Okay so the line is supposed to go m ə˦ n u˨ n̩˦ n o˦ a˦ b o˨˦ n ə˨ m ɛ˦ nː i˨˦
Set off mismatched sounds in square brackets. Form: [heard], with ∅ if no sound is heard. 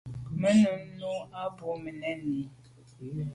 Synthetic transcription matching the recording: m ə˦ n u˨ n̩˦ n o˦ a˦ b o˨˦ [m] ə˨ [n] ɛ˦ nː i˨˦